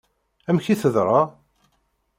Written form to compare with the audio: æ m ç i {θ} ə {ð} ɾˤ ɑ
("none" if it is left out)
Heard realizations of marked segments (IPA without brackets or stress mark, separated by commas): θ, ð